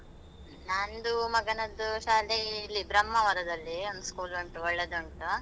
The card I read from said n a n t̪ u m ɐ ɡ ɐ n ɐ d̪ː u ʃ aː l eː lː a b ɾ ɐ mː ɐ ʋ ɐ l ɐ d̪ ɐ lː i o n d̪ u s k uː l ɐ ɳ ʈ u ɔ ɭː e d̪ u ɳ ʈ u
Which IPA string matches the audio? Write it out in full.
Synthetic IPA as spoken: n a n d̪ u m ɐ ɡ ɐ n ɐ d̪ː u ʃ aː l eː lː i b ɾ ɐ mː ɐ ʋ ɐ ɾ ɐ d̪ ɐ lː i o n d̪ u s k uː l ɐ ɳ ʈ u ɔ ɭː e d̪ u ɳ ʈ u